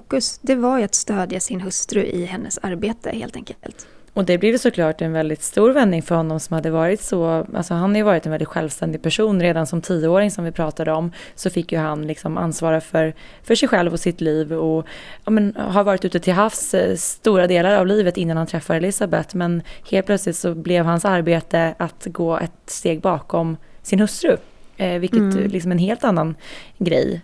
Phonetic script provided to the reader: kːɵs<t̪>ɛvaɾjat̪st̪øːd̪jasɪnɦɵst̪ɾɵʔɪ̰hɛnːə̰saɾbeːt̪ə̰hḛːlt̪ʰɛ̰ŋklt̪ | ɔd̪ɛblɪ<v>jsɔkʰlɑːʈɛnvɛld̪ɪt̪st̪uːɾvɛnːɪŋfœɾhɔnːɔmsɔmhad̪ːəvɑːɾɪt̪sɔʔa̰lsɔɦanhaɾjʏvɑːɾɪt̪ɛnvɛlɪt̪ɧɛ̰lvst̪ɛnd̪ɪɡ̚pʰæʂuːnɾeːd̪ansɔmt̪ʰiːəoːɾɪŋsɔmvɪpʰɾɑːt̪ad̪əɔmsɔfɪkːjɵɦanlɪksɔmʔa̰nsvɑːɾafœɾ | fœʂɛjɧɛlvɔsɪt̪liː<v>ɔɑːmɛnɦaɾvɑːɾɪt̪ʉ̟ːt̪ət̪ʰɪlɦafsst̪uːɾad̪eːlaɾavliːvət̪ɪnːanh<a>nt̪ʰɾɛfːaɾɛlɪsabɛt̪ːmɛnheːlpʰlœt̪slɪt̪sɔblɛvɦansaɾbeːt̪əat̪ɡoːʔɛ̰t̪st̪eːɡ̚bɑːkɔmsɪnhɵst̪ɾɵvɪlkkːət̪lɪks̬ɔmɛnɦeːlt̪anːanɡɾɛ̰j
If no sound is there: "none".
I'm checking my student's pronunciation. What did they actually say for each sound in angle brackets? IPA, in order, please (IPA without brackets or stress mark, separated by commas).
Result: d̪, v, v, a